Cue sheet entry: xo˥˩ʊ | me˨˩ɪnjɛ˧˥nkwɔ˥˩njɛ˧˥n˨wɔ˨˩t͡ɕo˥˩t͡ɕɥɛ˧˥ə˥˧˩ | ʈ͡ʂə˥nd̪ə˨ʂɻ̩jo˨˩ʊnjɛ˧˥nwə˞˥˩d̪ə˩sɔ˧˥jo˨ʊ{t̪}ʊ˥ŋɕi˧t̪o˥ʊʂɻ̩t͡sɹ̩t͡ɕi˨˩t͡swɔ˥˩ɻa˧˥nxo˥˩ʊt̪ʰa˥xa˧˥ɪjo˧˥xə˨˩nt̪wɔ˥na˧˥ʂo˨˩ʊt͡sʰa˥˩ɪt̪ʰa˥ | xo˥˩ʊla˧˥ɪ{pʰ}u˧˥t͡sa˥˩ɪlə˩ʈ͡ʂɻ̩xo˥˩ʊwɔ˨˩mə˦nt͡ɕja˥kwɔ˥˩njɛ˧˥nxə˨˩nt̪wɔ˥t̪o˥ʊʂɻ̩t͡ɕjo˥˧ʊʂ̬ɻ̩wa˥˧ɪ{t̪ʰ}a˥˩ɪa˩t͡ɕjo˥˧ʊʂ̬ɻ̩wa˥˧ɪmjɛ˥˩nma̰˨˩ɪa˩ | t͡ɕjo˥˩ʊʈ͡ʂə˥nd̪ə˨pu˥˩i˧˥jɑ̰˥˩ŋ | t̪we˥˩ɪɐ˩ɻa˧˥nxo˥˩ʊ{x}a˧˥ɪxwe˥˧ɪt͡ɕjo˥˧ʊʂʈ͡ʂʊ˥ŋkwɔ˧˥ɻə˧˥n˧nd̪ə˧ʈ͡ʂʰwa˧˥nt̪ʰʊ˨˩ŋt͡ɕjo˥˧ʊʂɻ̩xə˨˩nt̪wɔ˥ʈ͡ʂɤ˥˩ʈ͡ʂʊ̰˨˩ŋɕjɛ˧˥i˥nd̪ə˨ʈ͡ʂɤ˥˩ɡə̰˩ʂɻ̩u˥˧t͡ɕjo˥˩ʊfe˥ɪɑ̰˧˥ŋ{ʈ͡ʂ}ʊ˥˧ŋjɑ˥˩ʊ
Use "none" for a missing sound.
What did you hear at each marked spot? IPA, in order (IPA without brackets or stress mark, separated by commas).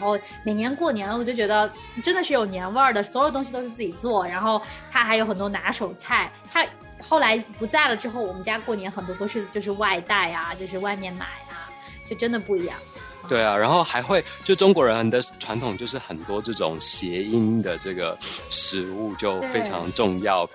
t̪, p, t̪, x, ʈ͡ʂ